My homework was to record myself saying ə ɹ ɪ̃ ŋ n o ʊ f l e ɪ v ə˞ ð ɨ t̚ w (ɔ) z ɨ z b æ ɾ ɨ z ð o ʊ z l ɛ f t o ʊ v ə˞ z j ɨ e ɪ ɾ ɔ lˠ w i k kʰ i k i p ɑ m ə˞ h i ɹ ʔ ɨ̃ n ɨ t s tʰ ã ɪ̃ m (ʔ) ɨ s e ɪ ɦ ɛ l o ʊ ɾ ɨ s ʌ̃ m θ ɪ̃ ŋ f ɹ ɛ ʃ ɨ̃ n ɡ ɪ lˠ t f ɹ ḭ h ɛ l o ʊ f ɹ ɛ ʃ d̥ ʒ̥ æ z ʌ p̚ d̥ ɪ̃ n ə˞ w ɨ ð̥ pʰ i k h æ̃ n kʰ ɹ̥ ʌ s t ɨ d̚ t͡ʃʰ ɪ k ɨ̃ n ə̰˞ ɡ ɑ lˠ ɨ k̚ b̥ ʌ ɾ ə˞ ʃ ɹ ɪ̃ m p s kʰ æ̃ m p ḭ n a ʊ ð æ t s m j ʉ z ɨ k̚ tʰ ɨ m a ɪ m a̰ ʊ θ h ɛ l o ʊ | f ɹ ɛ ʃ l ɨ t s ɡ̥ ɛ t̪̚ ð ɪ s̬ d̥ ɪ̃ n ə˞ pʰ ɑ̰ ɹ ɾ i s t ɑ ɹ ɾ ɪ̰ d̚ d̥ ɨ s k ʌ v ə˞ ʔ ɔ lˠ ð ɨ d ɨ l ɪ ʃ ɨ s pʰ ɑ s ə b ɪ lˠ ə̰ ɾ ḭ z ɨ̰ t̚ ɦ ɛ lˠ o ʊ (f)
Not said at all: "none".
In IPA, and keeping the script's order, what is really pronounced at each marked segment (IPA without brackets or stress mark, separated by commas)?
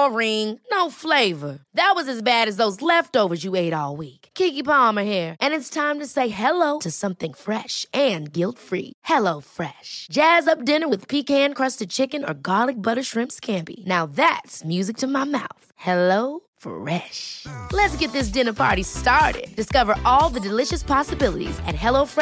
ʌ, t, f